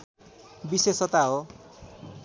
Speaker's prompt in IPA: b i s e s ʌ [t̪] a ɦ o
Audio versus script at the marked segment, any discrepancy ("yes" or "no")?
no